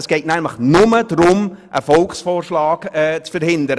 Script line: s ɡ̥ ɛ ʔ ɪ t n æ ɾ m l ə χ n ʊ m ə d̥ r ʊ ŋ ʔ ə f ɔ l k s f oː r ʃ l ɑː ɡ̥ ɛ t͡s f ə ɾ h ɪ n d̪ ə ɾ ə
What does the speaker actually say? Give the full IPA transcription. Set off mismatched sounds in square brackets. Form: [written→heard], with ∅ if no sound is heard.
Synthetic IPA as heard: s ɡ̥ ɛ [ʔ→∅] ɪ t n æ [ɾ→∅] m l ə χ n ʊ m ə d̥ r ʊ [ŋ→m] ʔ ə f ɔ l k s f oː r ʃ l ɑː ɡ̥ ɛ t͡s f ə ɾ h ɪ n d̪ ə ɾ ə